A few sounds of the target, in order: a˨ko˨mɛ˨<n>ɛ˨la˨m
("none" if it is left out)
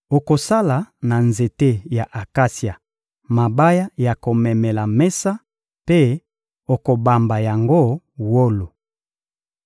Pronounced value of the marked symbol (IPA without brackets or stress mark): m